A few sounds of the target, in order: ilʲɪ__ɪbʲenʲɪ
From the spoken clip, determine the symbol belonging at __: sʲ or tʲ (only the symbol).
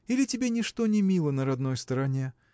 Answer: tʲ